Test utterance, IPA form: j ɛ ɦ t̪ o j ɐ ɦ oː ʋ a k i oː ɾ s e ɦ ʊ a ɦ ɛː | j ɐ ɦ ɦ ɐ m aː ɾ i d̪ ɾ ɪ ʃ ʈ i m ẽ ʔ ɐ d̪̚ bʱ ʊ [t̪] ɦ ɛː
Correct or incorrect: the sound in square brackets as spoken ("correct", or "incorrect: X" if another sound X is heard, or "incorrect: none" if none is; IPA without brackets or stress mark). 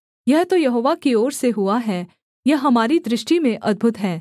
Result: correct